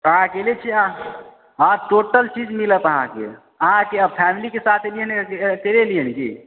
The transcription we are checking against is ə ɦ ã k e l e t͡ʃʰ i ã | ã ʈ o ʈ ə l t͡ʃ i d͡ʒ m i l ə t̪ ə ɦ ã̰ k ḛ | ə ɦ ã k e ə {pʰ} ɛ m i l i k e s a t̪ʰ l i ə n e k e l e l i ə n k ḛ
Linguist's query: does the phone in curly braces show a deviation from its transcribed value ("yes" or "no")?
no